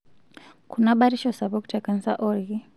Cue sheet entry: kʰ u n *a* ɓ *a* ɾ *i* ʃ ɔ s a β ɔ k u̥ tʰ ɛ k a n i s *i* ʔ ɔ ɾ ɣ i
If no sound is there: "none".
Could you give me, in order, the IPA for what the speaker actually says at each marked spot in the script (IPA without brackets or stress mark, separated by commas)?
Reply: a, a, i, a